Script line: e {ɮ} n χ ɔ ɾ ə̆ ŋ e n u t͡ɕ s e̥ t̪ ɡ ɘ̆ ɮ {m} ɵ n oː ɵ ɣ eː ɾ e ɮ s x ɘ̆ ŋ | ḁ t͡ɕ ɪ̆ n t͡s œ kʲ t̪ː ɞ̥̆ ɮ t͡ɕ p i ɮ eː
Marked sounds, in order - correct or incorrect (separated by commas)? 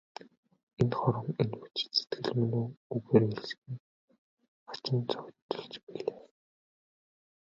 incorrect, correct